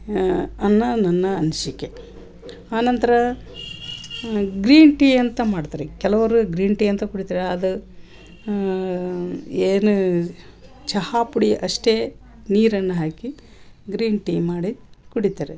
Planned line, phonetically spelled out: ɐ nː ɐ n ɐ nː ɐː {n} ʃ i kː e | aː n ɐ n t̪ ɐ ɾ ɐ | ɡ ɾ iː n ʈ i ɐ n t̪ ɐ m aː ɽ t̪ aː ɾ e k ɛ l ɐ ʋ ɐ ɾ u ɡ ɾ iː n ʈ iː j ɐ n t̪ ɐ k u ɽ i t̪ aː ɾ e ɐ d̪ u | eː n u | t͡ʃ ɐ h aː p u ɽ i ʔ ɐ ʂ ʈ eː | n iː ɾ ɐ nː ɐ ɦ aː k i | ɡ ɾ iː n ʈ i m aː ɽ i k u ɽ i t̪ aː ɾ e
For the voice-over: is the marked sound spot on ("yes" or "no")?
yes